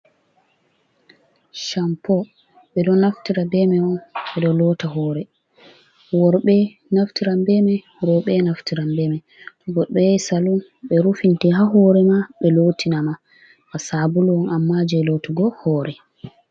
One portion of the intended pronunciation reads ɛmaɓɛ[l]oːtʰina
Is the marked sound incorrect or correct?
correct